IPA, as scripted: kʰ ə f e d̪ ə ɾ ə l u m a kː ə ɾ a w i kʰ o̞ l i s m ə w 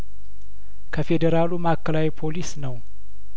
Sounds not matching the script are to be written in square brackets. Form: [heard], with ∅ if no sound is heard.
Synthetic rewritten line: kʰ ə f e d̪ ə ɾ [a] l u m a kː ə [l] a w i [pʰ] o̞ l i s [n] ə w

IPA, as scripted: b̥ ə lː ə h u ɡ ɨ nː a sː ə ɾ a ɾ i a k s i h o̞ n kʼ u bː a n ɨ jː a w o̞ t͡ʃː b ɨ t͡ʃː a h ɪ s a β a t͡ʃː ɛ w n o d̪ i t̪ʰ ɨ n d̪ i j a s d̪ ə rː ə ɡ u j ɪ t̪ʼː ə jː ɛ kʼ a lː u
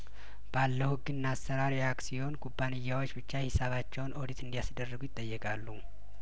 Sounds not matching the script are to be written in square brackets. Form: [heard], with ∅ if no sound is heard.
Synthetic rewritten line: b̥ [a] lː ə h u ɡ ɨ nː a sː ə ɾ a ɾ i a k s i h o̞ n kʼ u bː a n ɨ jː a w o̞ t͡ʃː b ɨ t͡ʃː a h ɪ s a β a t͡ʃː ɛ w n o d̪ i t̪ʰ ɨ n d̪ i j a s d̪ ə rː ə ɡ u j ɪ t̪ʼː ə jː ɛ kʼ a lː u

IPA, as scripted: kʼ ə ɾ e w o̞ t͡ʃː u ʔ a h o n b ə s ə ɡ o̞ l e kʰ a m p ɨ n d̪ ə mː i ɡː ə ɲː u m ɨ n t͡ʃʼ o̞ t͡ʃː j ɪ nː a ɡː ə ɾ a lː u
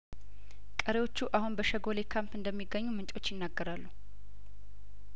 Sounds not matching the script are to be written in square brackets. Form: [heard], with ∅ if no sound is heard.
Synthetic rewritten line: kʼ ə ɾ e w o̞ t͡ʃː u ʔ a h [u] n b ə [ʃ] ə ɡ o̞ l e kʰ a m p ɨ n d̪ ə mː i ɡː ə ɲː u m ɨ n t͡ʃʼ o̞ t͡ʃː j ɪ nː a ɡː ə ɾ a lː u

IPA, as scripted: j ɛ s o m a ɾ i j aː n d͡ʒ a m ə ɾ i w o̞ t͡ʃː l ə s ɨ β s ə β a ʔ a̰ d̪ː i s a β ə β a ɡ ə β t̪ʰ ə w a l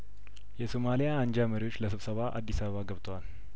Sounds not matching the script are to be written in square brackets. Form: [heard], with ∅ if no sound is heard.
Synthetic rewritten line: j ɛ s o m a [l] i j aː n d͡ʒ a m ə ɾ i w o̞ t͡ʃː l ə s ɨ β s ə β a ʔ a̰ d̪ː i s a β ə β a ɡ ə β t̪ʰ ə w a l

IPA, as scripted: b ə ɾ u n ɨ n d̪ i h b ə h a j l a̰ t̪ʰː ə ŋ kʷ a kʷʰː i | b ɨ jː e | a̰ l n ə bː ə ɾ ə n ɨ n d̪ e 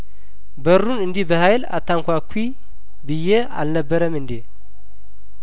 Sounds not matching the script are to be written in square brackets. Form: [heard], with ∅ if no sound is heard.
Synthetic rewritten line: b ə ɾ u n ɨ n d̪ i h b ə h a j l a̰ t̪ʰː [a] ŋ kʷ a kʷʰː i | b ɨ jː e | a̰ l n ə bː ə ɾ ə [m] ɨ n d̪ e

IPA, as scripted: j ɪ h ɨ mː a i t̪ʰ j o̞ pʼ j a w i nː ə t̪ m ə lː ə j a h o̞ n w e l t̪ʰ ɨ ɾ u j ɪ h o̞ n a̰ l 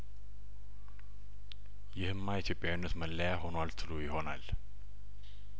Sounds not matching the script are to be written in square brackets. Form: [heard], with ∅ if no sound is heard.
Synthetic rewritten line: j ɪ h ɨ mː a i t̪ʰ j o̞ pʼ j a w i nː ə t̪ m ə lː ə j a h o̞ n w [a] l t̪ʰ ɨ [l] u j ɪ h o̞ n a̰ l

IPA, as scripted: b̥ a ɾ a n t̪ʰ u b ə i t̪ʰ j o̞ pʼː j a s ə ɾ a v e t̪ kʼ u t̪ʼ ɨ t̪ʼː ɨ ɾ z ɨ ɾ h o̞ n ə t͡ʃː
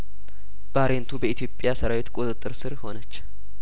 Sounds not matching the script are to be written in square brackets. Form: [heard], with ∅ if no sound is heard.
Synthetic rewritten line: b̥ a ɾ [e] n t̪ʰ u b ə i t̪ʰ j o̞ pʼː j a s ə ɾ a [w] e t̪ kʼ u t̪ʼ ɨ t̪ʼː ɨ ɾ [s] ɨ ɾ h o̞ n ə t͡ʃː

